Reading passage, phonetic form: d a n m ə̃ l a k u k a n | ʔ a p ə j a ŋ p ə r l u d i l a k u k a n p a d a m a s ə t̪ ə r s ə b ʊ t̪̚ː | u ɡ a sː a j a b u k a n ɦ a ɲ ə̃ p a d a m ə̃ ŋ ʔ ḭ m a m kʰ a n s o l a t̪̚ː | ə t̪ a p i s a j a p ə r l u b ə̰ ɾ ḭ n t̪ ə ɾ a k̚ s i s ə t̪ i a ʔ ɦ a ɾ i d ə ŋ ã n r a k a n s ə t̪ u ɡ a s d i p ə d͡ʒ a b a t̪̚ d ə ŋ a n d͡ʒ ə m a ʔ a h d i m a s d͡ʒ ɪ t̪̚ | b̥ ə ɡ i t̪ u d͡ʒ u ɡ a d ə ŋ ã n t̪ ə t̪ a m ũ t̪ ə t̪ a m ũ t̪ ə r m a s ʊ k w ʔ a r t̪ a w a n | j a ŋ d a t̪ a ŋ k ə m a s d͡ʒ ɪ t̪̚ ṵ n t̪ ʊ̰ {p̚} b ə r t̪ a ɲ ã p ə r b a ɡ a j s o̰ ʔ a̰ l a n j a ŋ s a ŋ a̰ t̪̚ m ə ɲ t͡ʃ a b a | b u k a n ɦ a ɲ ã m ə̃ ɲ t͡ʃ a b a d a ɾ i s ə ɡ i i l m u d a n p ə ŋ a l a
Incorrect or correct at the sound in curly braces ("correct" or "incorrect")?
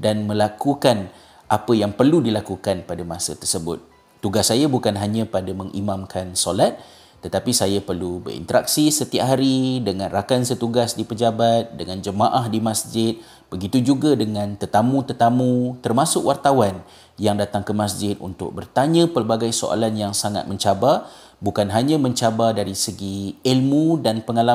incorrect